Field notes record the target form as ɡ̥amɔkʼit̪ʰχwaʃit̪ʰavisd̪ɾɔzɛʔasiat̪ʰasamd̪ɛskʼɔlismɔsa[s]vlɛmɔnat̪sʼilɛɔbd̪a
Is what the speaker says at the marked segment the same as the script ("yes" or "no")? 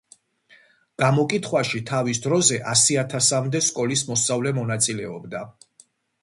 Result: no